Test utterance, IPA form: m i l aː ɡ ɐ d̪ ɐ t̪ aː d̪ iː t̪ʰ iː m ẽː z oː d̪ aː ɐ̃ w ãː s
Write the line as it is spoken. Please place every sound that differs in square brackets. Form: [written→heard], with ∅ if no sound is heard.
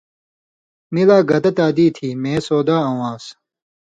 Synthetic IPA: m i l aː ɡ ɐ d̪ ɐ t̪ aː d̪ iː t̪ʰ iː m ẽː [z→s] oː d̪ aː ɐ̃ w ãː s